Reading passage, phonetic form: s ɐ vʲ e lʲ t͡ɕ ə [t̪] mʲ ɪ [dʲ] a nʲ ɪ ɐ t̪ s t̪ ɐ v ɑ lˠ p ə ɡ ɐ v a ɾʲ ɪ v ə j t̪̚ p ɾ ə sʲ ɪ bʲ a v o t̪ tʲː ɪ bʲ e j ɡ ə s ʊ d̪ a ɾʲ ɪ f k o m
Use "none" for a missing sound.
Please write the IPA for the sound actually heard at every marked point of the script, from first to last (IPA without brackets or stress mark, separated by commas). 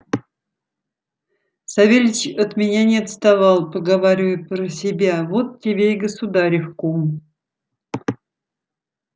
t̪, nʲ